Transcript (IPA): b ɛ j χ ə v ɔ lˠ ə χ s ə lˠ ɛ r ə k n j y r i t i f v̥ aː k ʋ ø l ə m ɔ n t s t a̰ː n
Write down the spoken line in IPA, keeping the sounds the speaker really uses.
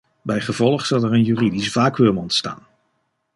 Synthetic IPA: b ɛ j χ ə v ɔ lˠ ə χ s ɑ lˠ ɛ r ə n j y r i d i s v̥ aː k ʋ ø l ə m ɔ n t s t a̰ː n